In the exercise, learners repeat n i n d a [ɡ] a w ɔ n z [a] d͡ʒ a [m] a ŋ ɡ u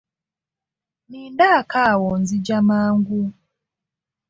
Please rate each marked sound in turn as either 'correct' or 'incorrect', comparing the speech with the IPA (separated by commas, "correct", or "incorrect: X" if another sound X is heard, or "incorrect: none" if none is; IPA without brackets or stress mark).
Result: incorrect: k, incorrect: i, correct